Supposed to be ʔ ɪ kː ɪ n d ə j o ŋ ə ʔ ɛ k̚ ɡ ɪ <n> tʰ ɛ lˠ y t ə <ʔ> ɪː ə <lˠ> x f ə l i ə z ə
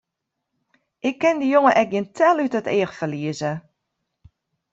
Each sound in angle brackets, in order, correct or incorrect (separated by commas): correct, incorrect, incorrect